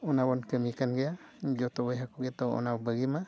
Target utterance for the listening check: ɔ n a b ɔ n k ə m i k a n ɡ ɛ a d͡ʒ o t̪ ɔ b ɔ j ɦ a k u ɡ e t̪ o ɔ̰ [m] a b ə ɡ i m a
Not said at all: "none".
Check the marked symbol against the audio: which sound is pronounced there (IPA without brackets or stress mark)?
n